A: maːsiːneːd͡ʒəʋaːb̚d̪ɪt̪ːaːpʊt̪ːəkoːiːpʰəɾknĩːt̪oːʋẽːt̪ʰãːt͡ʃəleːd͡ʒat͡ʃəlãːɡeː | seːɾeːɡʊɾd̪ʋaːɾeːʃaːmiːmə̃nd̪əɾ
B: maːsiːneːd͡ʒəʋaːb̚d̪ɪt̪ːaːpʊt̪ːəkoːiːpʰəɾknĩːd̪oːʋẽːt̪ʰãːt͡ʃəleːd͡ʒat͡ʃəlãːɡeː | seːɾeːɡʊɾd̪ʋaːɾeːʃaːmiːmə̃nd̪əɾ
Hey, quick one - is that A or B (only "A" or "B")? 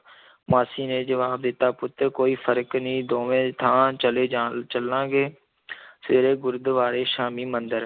B